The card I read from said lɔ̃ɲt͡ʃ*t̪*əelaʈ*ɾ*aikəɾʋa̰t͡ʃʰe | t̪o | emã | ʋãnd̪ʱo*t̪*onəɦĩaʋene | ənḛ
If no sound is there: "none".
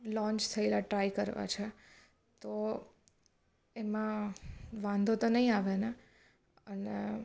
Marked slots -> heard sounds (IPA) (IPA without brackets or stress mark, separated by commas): t̪ʰ, ɾ, t̪